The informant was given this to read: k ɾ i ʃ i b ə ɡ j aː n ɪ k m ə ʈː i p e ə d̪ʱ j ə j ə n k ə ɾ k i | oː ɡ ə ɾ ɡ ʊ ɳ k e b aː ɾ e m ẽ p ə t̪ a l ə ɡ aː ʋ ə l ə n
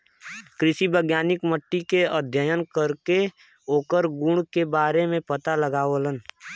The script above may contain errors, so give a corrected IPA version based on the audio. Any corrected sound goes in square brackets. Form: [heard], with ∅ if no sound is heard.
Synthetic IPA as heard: k ɾ [ɪ] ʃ i b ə ɡ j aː n ɪ k m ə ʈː i [k] e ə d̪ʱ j ə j ə n k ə ɾ k [e] | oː [k] ə ɾ ɡ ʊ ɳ k e b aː ɾ e m ẽ p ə t̪ a l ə ɡ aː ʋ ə l ə n